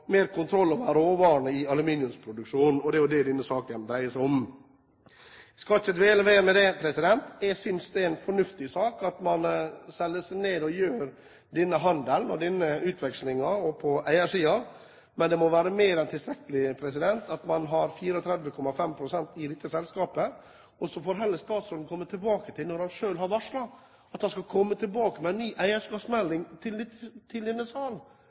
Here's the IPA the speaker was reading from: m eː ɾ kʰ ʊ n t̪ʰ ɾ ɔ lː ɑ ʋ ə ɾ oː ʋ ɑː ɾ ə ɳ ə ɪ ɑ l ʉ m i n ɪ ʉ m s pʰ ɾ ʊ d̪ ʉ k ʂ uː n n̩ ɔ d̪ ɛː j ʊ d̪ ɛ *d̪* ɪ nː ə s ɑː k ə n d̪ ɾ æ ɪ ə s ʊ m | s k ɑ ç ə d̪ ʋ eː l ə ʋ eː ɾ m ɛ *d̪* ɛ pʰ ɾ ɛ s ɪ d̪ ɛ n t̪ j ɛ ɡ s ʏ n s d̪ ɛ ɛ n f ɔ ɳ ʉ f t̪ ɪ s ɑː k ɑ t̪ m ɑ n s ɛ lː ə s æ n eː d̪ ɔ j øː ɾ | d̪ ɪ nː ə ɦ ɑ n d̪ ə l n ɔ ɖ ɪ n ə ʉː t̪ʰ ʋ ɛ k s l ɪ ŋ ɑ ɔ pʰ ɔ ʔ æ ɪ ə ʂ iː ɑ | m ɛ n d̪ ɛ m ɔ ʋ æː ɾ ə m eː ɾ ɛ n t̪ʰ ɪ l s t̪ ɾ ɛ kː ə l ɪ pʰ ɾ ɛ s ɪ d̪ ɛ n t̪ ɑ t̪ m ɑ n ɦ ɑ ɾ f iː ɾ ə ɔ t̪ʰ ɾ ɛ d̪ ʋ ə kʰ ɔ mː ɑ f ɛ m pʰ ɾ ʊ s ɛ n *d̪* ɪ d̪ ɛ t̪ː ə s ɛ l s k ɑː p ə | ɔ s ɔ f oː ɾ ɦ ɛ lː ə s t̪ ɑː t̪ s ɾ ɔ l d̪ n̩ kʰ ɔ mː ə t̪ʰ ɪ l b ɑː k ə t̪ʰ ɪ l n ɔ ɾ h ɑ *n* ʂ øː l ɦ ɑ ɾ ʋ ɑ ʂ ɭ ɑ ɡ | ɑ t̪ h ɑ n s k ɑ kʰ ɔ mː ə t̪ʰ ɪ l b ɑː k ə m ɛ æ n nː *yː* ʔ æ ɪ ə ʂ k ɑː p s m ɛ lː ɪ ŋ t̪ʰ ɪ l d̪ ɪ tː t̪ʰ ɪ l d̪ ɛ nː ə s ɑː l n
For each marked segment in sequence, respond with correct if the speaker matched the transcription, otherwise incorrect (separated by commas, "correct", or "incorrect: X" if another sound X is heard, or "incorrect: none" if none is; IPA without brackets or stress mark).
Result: correct, correct, incorrect: t̪, correct, correct